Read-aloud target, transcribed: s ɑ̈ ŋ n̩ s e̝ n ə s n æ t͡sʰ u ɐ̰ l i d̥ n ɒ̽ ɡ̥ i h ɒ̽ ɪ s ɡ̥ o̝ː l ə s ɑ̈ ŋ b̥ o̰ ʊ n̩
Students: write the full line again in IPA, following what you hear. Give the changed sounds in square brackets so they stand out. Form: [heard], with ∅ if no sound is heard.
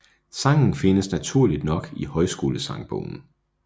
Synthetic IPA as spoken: s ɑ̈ ŋ n̩ [f] e̝ n ə s n æ t͡sʰ u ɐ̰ l i d̥ n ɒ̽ ɡ̥ i h ɒ̽ ɪ s ɡ̥ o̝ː l ə s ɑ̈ ŋ b̥ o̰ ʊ n̩